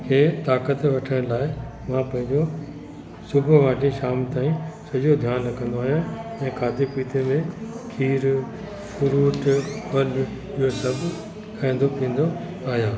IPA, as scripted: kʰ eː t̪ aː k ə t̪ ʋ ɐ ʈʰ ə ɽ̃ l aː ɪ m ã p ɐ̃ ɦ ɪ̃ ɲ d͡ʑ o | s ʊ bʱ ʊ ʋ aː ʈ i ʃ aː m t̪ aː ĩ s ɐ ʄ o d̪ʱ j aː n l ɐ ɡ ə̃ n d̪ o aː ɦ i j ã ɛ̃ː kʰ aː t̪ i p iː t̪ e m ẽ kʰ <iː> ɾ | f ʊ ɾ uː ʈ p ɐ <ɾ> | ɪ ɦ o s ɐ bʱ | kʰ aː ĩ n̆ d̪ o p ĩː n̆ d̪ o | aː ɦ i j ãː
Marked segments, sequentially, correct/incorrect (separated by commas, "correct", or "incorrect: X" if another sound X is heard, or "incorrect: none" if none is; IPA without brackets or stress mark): correct, incorrect: l